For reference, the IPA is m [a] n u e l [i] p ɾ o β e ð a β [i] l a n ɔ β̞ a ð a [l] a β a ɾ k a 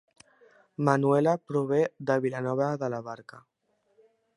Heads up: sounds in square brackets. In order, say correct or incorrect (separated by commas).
correct, incorrect, correct, correct